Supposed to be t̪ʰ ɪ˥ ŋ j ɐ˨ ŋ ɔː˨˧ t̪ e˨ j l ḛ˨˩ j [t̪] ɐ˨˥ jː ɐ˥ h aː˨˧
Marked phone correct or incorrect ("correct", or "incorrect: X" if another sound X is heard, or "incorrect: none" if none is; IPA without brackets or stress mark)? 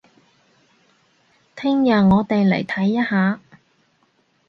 incorrect: t̪ʰ